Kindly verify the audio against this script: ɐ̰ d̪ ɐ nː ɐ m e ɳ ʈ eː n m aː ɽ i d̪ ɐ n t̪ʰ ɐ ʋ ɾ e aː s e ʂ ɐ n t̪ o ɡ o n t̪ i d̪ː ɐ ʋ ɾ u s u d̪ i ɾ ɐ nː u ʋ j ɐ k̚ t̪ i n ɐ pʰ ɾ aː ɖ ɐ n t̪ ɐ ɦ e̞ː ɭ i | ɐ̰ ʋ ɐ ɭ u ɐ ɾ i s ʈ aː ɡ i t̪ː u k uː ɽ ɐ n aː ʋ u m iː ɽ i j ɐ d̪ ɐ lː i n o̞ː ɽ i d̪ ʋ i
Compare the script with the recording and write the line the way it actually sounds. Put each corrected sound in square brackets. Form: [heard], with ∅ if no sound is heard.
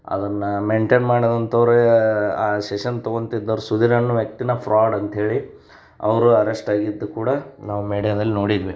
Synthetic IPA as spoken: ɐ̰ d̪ ɐ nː ɐ m e ɳ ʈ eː n m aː ɽ i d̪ ɐ n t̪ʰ ɐ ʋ ɾ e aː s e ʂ ɐ n t̪ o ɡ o n t̪ i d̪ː ɐ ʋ ɾ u s u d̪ i ɾ ɐ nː u ʋ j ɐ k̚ t̪ i n ɐ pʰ ɾ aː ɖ ɐ n t̪ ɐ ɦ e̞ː ɭ i | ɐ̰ ʋ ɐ [ɾ] u ɐ ɾ [e] s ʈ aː ɡ i [d̪ː] u k uː ɽ ɐ n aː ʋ u m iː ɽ i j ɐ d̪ ɐ lː i n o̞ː ɽ i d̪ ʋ i